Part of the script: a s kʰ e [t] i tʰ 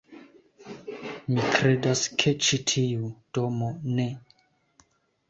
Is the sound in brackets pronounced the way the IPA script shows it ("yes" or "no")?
no